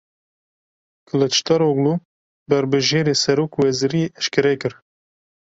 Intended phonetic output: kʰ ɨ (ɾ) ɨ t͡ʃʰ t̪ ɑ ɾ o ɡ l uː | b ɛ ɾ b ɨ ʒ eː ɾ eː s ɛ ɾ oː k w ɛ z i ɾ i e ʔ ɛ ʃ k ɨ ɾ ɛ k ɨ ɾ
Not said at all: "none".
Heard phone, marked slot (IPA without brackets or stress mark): l